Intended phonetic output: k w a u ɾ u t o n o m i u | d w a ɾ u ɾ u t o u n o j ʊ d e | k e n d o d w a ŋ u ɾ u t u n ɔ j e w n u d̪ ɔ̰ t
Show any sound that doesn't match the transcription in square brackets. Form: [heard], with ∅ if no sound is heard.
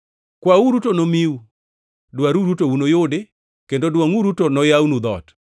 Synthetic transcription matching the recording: k w a u ɾ u t o n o m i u | d w a ɾ u ɾ u t o u n o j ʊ d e | k e n d o d w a ŋ u ɾ u t [o] n ɔ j [a] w n u d̪ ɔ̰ t